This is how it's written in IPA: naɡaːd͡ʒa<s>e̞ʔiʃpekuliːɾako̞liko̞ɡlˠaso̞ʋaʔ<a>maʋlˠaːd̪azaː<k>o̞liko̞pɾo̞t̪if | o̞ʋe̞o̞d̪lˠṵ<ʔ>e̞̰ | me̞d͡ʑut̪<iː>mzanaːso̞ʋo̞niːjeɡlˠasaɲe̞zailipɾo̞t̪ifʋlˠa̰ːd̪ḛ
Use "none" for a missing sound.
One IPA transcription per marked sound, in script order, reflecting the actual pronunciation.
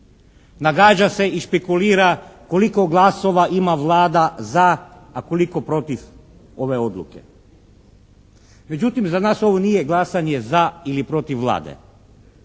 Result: s, i, k, k, i

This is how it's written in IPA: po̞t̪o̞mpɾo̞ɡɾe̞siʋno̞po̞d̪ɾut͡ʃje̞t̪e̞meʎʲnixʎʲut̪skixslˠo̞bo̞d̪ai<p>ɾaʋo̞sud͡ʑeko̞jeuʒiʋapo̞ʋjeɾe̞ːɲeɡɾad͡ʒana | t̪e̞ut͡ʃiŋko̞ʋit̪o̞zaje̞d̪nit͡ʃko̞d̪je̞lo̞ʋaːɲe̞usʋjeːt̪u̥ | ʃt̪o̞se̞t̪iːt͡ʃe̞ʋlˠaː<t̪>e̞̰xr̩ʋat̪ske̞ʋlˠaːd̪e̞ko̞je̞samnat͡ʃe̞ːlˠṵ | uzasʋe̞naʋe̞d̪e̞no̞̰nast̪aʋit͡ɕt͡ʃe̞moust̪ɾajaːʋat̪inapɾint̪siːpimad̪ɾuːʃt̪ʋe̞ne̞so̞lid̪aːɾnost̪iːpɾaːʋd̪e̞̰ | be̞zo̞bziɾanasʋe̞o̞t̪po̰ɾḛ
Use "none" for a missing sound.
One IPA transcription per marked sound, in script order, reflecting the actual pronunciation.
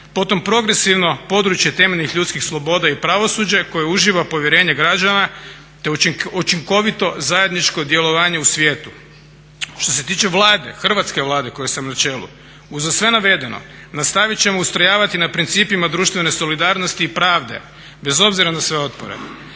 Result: p, d̪

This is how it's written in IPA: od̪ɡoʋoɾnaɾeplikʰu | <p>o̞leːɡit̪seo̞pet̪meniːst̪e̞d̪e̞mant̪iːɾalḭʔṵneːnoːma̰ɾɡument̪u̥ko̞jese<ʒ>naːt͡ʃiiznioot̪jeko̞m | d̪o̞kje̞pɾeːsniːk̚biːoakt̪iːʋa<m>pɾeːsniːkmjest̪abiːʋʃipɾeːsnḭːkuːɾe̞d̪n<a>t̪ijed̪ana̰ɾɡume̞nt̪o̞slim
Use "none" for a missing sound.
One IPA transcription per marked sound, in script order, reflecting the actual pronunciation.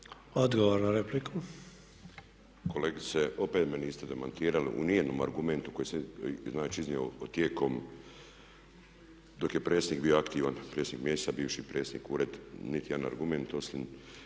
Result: k, z, n, i

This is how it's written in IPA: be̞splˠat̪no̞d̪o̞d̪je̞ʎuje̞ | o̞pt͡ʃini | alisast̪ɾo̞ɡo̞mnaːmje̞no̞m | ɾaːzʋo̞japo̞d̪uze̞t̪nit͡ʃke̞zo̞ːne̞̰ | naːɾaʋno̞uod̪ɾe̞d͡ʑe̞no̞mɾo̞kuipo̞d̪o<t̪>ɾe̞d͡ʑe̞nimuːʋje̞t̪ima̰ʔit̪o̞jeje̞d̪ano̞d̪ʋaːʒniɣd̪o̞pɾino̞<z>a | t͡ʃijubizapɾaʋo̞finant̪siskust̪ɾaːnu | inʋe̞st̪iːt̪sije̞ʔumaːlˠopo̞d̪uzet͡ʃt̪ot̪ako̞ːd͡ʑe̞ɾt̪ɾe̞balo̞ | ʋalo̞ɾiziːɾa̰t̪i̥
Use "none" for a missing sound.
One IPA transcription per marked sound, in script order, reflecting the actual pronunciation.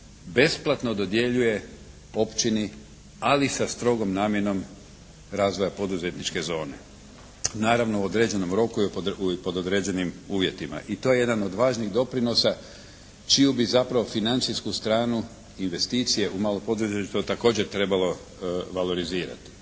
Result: d̪, s

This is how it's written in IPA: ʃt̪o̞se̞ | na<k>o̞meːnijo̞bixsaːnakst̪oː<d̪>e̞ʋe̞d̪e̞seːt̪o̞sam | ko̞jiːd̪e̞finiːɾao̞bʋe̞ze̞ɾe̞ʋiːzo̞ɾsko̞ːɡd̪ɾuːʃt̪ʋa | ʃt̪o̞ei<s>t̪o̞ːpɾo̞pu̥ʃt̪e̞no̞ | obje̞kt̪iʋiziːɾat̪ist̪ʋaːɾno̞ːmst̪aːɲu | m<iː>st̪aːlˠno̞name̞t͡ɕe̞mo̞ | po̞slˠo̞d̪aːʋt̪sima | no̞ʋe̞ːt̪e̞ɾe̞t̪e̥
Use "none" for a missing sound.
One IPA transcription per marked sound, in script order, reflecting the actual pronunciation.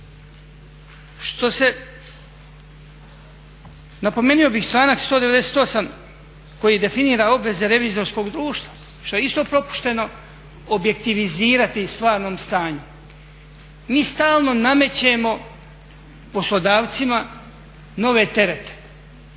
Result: p, d̪, s, iː

